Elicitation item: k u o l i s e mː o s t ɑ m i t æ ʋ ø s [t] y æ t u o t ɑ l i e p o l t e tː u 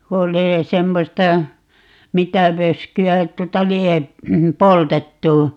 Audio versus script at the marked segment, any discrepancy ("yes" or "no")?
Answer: yes